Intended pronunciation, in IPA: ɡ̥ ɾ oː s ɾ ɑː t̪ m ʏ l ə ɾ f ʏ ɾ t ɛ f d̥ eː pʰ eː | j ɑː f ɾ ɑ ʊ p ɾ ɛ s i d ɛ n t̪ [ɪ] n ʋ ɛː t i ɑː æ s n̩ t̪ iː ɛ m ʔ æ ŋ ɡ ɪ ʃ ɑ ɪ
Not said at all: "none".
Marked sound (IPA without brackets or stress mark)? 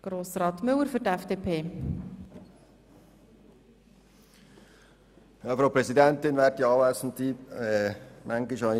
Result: ɪ